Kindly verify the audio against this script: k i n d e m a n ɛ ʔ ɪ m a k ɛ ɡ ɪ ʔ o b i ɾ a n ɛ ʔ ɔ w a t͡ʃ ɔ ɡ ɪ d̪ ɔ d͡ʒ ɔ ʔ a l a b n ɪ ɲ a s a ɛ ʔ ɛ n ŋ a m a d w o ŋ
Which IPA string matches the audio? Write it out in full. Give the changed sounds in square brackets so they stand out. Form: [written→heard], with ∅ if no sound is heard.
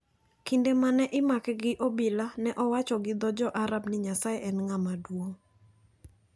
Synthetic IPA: k i n d e m a n ɛ ʔ ɪ m a k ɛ ɡ ɪ ʔ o b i [ɾ→l] a n ɛ ʔ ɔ w a t͡ʃ ɔ ɡ ɪ d̪ ɔ d͡ʒ ɔ ʔ a [l→ɾ] a b n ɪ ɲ a s a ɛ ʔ ɛ n ŋ a m a d w o ŋ